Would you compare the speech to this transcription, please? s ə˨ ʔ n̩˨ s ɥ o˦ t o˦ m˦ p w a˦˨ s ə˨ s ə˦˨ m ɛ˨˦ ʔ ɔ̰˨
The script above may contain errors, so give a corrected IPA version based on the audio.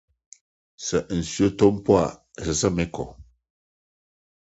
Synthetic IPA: s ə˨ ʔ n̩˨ s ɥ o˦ t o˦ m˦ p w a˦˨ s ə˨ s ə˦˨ m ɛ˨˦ k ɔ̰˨